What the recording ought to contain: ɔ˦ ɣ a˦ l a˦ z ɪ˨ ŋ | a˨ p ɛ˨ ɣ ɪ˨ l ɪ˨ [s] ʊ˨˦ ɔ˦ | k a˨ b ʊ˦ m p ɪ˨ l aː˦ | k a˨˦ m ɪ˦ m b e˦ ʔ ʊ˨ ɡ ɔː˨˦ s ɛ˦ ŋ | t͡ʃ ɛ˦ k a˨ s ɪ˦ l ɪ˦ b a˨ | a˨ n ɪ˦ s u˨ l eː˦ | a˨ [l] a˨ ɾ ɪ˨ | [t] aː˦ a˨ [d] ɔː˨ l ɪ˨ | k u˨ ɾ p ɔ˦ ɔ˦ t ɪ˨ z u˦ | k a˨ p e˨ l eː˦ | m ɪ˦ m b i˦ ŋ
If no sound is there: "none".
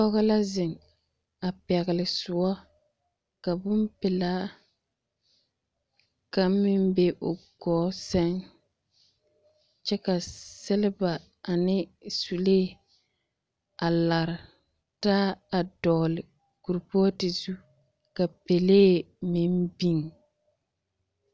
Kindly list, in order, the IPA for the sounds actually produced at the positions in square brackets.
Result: s, l, t, d

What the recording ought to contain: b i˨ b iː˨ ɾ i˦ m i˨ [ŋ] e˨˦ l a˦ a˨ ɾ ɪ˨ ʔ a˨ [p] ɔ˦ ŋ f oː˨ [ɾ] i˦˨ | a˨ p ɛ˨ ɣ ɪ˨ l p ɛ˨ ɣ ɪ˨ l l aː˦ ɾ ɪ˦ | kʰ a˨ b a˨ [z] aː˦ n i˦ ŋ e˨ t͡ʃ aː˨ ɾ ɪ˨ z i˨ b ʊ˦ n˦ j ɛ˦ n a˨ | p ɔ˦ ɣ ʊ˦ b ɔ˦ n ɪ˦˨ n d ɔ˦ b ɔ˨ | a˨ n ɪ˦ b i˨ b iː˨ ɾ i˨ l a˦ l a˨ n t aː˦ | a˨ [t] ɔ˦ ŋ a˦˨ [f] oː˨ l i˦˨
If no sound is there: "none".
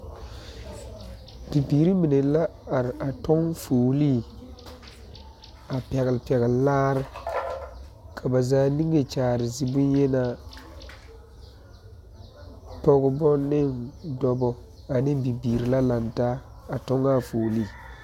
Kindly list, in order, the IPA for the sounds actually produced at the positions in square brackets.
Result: n, t, l, z, t, f

